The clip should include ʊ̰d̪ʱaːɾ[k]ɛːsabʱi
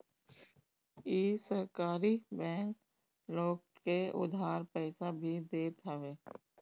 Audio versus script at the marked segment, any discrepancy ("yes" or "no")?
yes